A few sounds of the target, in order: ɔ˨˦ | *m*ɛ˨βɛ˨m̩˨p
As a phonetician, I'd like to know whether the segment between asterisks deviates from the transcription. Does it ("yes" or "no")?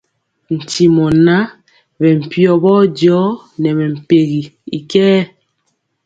yes